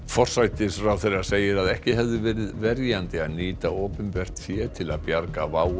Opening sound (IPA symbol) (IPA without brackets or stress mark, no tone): f